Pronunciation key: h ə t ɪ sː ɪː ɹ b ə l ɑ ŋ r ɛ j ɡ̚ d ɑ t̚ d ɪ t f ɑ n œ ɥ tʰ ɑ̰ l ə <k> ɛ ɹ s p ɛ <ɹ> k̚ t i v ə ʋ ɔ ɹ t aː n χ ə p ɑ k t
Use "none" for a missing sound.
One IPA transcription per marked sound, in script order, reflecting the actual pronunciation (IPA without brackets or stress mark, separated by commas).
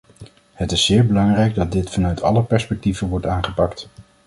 p, none